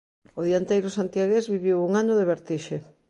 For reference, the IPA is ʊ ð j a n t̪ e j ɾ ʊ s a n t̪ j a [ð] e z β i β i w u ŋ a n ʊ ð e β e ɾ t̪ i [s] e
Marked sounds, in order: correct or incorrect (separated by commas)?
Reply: incorrect, incorrect